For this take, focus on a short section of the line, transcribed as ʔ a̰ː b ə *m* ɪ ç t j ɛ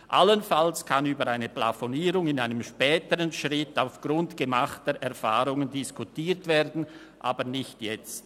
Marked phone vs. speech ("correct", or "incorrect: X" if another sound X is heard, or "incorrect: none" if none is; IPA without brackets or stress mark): incorrect: n